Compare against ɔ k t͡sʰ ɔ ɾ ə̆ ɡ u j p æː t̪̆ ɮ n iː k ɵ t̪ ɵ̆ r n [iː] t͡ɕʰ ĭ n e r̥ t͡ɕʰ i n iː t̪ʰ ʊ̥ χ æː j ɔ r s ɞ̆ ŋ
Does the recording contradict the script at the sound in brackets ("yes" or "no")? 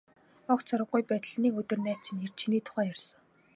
yes